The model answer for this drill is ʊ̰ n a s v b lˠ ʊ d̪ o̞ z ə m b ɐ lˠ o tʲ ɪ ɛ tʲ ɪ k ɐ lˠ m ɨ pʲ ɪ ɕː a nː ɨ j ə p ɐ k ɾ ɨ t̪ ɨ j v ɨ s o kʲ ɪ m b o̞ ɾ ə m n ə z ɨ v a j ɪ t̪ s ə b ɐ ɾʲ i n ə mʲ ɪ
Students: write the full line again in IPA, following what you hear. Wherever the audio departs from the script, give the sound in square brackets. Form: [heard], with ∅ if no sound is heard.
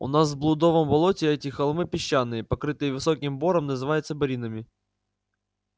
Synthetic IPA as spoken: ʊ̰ n a s v b lˠ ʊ d̪ o̞ [v] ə m b ɐ lˠ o tʲ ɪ ɛ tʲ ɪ [x] ɐ lˠ m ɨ pʲ ɪ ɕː a nː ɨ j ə p ɐ k ɾ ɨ t̪ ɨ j v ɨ s o kʲ ɪ m b o̞ ɾ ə m n ə z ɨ v a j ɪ t̪ s ə b ɐ ɾʲ i n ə mʲ ɪ